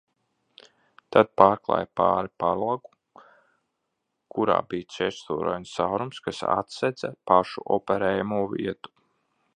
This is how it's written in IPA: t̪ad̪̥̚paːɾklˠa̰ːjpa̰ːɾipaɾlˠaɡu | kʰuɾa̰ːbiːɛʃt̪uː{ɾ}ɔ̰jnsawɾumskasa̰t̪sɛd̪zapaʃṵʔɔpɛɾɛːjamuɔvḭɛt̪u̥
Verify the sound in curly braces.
correct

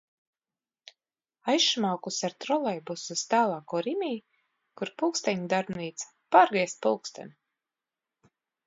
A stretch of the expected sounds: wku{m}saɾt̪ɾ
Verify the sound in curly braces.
incorrect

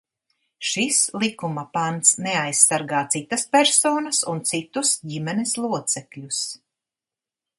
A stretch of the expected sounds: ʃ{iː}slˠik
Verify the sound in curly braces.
incorrect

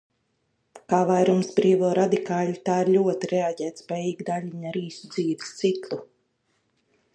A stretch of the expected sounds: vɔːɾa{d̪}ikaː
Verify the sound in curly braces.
correct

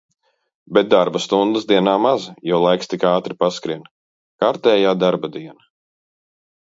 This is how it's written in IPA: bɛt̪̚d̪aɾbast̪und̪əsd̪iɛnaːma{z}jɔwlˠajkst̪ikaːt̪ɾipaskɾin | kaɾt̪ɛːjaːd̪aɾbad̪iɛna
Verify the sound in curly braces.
correct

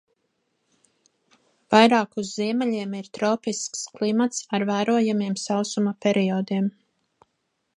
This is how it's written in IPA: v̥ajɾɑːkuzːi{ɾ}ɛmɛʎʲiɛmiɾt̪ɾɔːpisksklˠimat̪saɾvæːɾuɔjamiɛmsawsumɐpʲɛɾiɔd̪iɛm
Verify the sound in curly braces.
incorrect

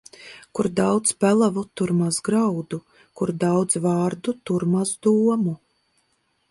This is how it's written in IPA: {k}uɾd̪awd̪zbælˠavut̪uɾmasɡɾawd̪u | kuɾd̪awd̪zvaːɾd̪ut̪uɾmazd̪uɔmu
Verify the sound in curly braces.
correct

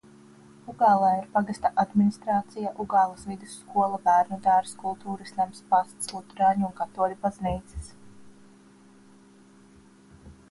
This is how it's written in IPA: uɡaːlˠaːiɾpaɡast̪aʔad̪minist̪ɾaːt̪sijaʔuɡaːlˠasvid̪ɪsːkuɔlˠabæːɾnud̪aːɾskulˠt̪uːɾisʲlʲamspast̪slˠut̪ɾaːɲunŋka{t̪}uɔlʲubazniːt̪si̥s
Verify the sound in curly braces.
correct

